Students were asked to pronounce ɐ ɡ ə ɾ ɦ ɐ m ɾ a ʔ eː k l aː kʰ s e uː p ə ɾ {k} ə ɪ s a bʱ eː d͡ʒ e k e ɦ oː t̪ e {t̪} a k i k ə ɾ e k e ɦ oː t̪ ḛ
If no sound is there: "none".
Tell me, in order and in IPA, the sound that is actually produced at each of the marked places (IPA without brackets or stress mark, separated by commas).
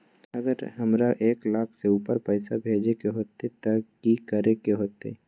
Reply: p, t̪